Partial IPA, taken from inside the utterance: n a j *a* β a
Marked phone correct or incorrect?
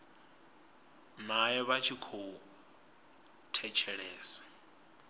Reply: incorrect